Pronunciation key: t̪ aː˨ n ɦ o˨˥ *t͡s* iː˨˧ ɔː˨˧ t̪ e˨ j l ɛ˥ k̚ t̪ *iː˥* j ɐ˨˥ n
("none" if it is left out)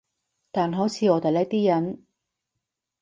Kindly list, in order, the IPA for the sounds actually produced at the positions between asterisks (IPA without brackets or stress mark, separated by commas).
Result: t͡sʰ, iː˥